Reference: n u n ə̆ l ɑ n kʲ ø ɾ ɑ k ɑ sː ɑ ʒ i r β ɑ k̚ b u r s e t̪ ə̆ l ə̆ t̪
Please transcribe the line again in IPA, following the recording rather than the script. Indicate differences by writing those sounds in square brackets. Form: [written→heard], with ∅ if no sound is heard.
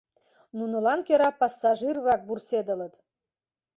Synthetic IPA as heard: n u n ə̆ l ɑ n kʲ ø ɾ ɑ [k→p] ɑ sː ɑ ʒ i r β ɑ k̚ b u r s e [t̪→d̪] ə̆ l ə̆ t̪